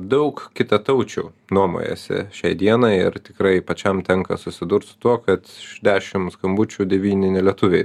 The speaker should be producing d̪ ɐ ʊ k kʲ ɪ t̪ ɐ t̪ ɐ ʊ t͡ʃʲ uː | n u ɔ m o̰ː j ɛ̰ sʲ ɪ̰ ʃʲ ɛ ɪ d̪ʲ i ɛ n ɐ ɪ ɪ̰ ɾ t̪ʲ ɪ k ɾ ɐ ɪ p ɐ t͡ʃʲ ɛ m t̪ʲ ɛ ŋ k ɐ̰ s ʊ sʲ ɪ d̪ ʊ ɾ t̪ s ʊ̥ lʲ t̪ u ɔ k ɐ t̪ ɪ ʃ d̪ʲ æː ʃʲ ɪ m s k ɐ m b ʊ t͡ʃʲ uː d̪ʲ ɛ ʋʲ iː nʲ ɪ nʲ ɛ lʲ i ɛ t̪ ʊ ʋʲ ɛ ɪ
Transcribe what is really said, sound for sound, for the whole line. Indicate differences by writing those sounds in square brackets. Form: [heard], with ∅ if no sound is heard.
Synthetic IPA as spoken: d̪ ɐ ʊ k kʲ ɪ t̪ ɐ t̪ ɐ ʊ t͡ʃʲ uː | n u ɔ m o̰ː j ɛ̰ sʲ ɪ̰ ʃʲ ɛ ɪ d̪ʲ i ɛ n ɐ ɪ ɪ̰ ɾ t̪ʲ ɪ k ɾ ɐ ɪ p ɐ t͡ʃʲ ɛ m t̪ʲ ɛ ŋ k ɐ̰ s ʊ sʲ ɪ d̪ ʊ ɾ t̪ s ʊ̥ [∅] t̪ u ɔ k ɐ t̪ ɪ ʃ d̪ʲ æː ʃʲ ɪ m s k ɐ m b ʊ t͡ʃʲ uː d̪ʲ ɛ ʋʲ iː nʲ ɪ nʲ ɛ lʲ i ɛ t̪ ʊ ʋʲ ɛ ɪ